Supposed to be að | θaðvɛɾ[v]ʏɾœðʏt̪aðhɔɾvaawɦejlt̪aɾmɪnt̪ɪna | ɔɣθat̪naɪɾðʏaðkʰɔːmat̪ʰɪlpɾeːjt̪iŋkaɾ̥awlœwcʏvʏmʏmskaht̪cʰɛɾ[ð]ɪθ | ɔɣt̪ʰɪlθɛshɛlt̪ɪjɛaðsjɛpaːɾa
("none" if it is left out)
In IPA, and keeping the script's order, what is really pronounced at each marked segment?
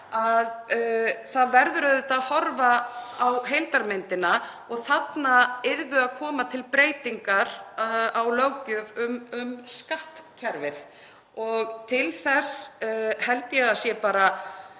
ð, v

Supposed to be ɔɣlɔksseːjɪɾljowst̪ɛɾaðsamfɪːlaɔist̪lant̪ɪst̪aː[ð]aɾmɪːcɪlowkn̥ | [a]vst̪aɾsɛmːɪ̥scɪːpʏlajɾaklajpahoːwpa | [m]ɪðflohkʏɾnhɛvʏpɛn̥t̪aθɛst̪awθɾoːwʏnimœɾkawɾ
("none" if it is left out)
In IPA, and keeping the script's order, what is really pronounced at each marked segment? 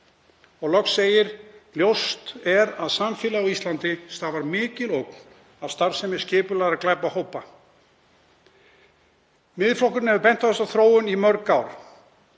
v, a, m

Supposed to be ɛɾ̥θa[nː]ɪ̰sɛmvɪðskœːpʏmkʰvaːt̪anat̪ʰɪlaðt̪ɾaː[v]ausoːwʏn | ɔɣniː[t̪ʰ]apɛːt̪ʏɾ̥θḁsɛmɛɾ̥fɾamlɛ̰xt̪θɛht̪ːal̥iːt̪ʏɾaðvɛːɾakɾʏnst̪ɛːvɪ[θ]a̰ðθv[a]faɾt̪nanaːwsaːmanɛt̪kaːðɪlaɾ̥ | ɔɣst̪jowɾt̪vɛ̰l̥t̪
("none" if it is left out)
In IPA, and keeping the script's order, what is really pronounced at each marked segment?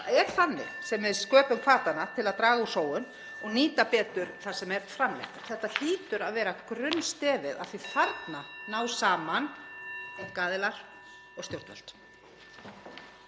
nː, ɣ, t̪, ð, i

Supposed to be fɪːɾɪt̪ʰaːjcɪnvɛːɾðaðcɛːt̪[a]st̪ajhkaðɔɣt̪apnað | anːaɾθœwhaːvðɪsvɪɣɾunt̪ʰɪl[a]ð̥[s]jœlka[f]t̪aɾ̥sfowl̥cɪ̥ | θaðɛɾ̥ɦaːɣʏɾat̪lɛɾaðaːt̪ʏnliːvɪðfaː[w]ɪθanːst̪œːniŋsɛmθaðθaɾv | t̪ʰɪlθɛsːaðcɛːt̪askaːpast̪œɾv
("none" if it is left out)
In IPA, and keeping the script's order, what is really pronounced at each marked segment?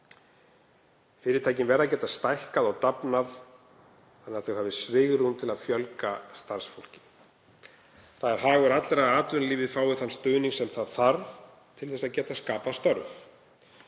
a, a, f, s, w

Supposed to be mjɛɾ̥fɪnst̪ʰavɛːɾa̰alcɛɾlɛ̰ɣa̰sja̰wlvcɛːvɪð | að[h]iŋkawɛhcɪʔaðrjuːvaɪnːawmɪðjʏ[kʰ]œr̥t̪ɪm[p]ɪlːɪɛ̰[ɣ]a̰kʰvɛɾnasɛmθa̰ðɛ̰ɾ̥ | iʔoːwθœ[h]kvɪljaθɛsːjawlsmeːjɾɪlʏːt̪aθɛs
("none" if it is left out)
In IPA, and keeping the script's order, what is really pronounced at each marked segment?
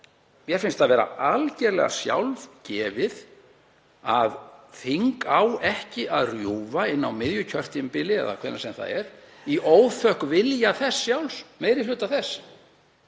θ, cʰ, p, ð, h

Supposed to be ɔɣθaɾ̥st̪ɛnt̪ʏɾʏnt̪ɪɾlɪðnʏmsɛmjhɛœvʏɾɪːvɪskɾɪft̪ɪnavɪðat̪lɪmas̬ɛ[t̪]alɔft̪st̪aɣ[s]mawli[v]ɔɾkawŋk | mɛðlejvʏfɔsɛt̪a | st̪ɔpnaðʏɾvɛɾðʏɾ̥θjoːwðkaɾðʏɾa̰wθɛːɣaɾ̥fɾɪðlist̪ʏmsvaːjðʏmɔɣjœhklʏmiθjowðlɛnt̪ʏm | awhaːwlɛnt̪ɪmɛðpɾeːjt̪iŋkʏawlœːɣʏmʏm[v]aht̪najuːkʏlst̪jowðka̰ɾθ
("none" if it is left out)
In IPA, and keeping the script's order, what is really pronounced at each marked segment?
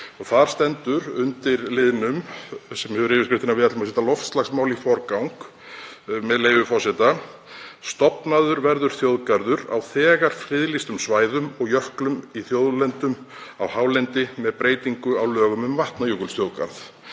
t̪, s, f, v

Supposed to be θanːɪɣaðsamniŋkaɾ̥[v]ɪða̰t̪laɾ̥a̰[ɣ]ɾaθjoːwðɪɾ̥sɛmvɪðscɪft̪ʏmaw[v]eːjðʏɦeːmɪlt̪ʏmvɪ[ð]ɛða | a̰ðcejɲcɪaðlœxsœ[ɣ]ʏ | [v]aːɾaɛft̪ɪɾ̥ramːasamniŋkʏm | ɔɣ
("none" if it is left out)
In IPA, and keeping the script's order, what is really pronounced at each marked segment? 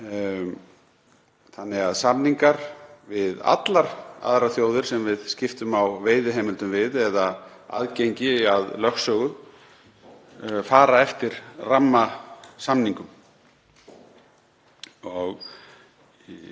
v, ð, v, ð, ɣ, f

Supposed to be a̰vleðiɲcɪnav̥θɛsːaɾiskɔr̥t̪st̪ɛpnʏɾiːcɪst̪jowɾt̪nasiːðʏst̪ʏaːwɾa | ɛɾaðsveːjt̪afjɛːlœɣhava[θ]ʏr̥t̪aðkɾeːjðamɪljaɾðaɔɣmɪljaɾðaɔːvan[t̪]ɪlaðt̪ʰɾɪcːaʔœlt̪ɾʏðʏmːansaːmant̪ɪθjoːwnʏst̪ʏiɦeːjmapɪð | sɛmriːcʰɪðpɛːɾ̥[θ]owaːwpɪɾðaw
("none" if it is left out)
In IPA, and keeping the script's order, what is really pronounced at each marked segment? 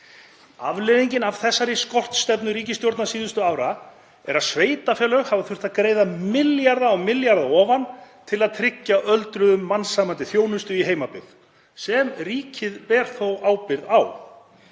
θ, t̪ʰ, θ

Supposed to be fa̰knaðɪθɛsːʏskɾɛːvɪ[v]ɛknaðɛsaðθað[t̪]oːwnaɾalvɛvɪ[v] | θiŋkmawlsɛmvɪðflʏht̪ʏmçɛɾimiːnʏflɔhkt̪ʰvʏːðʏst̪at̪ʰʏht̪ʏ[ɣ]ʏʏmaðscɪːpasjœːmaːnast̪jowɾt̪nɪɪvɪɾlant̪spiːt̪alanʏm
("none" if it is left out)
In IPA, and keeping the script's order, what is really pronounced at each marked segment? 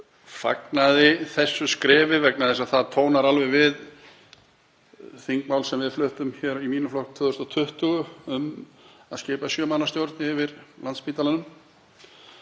v, t̪ʰ, ð, ɣ

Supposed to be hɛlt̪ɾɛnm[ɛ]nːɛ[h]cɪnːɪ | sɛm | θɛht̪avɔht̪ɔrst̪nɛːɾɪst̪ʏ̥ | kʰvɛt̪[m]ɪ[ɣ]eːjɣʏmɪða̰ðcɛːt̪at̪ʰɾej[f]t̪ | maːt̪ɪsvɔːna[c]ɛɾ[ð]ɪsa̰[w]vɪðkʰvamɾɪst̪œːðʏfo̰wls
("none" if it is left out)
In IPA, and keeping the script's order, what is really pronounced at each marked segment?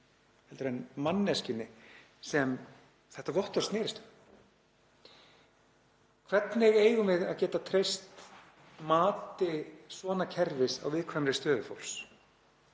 a, s, n, ɣ, s, cʰ, v, w

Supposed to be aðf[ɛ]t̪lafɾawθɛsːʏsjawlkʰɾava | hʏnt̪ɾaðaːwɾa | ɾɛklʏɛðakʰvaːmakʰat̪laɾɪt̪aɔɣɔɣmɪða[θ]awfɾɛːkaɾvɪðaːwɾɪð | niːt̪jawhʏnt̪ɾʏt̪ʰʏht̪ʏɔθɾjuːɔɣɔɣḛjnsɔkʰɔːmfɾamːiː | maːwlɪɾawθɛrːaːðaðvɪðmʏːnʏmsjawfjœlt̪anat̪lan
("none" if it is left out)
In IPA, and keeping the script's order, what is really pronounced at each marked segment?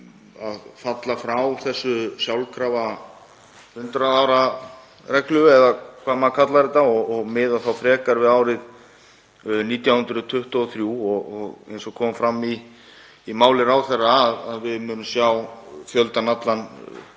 a, θ

